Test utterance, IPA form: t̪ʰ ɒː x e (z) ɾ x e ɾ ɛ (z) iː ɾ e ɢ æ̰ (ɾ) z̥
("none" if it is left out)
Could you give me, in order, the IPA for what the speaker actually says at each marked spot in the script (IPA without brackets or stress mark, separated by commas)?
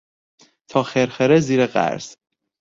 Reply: none, z, ɾ